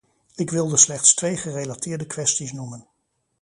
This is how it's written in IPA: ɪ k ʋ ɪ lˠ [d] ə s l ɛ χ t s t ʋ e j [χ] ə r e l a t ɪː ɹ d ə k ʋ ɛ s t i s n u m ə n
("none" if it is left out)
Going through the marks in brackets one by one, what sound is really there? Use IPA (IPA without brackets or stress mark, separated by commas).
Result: d, χ